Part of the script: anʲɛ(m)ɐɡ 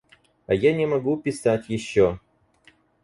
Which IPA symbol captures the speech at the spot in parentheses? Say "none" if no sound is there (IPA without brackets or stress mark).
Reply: m